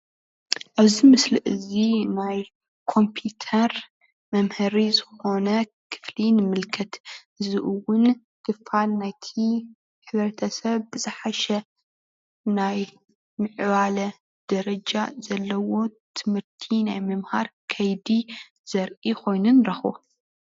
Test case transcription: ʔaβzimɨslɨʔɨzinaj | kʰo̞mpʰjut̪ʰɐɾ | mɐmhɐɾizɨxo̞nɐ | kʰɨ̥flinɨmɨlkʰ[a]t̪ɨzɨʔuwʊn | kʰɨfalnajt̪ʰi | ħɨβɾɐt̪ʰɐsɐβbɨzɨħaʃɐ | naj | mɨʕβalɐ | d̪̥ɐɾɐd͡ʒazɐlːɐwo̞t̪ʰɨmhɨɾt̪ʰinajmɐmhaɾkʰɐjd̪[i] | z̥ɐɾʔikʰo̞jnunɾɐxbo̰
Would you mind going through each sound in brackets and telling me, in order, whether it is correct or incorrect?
incorrect: ɐ, correct

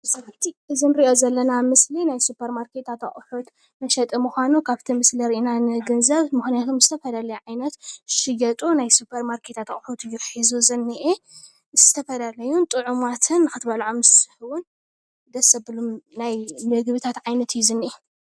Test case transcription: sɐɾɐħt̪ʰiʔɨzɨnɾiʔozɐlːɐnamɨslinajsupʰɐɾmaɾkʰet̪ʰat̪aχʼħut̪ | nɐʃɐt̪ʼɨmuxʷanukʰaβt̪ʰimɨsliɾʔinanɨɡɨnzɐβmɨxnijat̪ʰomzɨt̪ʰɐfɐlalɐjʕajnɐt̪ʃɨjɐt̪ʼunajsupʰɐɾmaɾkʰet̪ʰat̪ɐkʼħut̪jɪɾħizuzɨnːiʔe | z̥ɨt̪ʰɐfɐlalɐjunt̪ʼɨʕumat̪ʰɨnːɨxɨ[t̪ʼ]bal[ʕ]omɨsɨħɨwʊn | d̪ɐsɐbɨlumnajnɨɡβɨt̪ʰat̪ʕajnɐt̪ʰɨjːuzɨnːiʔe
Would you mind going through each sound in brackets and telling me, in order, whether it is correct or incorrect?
incorrect: t̪, correct

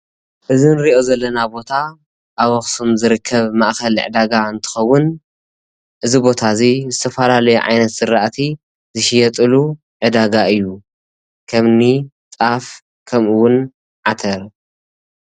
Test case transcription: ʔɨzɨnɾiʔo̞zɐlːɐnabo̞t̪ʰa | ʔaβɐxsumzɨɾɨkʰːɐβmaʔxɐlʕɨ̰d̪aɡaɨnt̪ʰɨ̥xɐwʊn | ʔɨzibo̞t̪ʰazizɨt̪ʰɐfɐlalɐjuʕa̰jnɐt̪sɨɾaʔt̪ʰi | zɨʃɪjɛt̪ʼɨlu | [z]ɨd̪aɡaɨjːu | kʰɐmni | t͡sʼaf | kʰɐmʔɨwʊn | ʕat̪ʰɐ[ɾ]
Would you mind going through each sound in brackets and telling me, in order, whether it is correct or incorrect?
incorrect: ʕ, correct

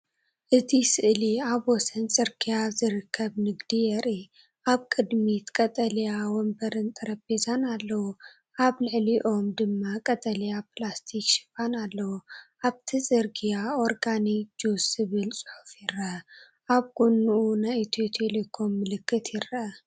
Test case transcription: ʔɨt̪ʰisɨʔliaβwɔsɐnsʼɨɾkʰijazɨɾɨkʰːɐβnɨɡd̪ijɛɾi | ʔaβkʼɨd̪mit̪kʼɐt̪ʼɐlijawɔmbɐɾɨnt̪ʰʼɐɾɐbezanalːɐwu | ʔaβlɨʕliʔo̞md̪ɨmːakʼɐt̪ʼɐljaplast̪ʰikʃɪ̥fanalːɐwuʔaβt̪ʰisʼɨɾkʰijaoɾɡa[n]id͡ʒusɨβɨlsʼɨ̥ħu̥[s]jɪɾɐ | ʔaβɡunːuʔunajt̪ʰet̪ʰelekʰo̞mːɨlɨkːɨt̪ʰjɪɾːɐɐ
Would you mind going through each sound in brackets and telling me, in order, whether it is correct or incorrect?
correct, incorrect: f

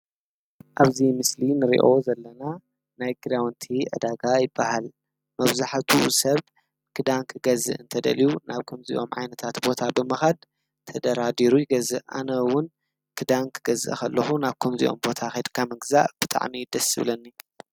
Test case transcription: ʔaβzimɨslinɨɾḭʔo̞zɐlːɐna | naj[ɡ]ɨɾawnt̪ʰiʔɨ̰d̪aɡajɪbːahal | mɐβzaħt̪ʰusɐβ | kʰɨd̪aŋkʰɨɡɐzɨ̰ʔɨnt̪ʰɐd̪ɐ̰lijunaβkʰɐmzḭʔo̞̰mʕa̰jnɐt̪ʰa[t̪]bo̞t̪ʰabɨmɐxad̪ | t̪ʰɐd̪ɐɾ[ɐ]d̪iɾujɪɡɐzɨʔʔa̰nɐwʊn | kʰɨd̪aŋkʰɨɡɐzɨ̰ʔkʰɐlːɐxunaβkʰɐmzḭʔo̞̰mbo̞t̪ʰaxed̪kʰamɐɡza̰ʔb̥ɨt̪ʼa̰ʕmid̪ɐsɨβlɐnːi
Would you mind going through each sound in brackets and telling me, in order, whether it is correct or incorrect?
correct, correct, incorrect: a

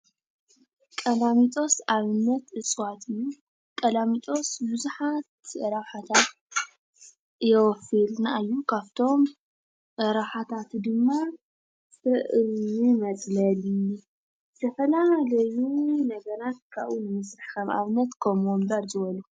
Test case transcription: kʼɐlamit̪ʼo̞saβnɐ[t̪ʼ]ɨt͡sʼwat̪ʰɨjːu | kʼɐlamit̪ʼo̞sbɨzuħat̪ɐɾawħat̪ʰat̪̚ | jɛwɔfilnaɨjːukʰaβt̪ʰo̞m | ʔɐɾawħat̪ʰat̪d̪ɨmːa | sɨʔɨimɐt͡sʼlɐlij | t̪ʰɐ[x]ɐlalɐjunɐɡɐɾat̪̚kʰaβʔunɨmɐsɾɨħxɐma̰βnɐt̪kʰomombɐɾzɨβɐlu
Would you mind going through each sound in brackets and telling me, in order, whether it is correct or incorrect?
incorrect: t̪, incorrect: f

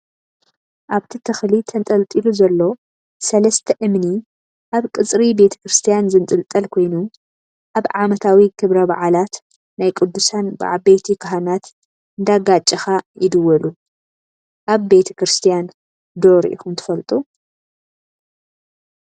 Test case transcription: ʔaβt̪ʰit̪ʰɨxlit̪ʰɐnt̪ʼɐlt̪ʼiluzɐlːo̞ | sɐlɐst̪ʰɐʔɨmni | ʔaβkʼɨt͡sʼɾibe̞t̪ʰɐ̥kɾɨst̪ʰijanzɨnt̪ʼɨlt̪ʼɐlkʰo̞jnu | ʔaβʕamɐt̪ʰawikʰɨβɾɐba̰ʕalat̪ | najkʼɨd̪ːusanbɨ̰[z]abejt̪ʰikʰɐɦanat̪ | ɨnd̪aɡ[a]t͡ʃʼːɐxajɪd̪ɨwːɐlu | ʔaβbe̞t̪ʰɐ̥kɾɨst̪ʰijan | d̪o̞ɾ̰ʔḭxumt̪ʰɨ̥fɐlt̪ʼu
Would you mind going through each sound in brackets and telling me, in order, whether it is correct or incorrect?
incorrect: ʕ, correct

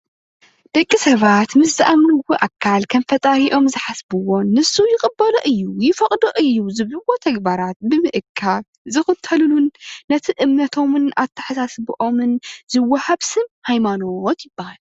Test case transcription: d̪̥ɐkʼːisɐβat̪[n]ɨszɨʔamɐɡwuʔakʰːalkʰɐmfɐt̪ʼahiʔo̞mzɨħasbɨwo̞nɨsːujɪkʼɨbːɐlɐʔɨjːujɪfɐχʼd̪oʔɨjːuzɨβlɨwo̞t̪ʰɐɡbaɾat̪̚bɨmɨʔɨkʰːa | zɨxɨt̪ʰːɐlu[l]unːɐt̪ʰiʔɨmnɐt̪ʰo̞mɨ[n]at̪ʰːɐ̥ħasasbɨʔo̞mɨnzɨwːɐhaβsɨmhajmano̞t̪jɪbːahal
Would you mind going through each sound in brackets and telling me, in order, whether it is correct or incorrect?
incorrect: m, correct, correct

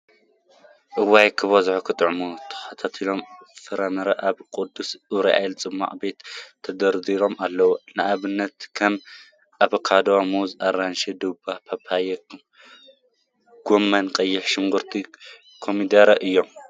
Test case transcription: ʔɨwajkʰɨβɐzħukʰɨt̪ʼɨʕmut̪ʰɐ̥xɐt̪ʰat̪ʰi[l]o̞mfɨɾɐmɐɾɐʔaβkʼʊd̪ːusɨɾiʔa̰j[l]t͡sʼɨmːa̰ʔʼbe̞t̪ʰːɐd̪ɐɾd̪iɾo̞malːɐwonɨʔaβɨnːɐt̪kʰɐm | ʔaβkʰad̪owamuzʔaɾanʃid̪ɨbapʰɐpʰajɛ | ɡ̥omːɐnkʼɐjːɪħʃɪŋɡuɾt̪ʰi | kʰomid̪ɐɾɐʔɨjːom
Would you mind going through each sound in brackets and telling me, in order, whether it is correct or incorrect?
correct, correct

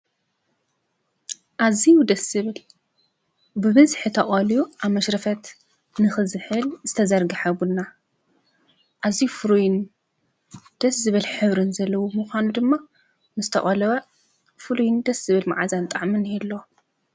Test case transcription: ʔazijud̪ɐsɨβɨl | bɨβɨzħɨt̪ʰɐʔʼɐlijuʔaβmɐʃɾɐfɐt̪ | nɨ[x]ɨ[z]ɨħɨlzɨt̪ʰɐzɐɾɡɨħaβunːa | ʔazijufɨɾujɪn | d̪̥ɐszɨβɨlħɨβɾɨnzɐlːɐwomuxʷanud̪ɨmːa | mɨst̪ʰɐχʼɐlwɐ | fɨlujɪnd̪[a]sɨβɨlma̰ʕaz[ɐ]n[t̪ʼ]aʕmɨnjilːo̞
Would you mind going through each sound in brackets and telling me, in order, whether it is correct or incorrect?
correct, correct, incorrect: ɐ, incorrect: a, correct

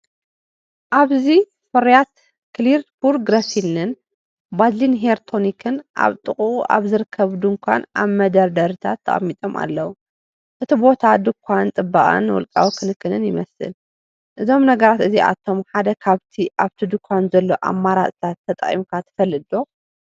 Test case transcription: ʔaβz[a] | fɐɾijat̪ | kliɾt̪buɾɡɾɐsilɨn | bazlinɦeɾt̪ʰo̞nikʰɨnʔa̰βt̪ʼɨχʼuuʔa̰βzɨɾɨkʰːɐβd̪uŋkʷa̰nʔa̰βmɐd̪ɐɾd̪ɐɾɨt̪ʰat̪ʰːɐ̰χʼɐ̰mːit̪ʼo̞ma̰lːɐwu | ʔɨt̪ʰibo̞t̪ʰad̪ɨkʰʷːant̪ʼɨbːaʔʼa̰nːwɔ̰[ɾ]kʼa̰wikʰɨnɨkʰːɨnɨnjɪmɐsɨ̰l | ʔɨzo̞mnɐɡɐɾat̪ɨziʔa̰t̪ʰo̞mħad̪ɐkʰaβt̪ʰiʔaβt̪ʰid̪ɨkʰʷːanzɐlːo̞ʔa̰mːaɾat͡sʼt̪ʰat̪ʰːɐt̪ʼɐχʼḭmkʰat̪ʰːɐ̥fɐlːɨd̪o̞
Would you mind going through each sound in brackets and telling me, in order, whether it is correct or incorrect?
incorrect: i, incorrect: l

